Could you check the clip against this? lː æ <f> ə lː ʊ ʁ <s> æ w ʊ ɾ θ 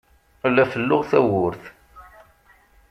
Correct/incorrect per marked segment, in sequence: correct, incorrect

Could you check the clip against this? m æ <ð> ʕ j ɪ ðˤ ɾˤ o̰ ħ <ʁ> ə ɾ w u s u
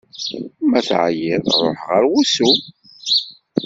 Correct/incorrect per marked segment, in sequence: incorrect, correct

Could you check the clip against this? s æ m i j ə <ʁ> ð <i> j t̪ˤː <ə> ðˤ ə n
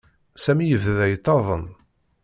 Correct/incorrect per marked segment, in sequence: incorrect, incorrect, incorrect

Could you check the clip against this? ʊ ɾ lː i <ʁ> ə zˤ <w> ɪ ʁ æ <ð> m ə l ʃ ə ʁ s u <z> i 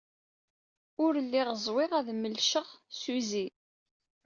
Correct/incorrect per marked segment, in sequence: correct, correct, correct, correct

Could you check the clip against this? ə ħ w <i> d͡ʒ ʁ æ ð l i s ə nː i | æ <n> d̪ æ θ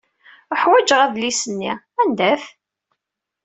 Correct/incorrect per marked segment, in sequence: incorrect, correct

